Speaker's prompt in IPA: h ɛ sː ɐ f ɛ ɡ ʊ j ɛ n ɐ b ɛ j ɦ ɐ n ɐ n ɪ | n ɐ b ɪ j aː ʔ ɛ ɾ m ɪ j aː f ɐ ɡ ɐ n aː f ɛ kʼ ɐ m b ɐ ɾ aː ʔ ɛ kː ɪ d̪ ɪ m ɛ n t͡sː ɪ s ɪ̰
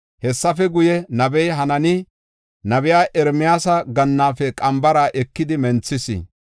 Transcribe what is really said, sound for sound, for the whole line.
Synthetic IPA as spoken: h ɛ sː ɐ f ɛ ɡ ʊ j ɛ n ɐ b ɛ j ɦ ɐ n ɐ n ɪ | n ɐ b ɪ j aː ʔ ɛ ɾ m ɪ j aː s ɐ ɡ ɐ nː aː f ɛ kʼ ɐ m b ɐ ɾ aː ʔ ɛ kː ɪ d̪ ɪ m ɛ n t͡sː ɪ s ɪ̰